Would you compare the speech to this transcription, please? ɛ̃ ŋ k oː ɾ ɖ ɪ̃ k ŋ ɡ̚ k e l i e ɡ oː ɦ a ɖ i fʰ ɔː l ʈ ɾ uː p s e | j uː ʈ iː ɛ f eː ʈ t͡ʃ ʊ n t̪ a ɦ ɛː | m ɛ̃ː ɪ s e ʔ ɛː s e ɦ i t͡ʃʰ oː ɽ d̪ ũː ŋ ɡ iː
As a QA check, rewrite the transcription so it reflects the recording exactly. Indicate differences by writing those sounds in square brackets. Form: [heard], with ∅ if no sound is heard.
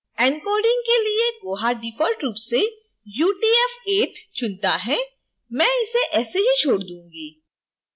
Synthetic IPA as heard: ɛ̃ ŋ k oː ɾ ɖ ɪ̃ [∅] ŋ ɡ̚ k e l i e ɡ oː ɦ a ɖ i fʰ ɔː l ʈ ɾ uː p s e | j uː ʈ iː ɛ f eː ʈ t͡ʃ ʊ n t̪ a ɦ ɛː | m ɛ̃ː ɪ s e ʔ ɛː s e ɦ i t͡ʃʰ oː ɽ d̪ ũː ŋ ɡ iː